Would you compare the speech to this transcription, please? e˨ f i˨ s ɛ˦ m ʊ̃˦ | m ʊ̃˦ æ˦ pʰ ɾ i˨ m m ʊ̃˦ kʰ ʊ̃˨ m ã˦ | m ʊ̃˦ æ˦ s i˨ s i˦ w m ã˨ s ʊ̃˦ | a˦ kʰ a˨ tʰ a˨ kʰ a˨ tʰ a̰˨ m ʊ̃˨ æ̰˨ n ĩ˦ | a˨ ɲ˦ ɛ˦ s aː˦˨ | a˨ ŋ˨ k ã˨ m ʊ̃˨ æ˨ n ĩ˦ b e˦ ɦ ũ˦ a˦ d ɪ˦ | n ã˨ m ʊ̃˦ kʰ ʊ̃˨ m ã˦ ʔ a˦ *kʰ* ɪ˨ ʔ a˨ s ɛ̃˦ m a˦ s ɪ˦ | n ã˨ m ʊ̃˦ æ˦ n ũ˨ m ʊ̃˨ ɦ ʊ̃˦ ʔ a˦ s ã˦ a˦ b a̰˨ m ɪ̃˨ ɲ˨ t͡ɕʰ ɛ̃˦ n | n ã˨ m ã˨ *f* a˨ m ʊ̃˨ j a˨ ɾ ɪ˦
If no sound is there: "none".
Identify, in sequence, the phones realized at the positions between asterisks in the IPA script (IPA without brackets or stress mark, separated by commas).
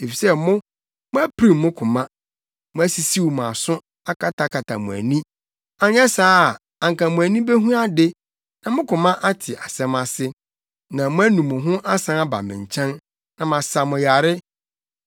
tʰ, s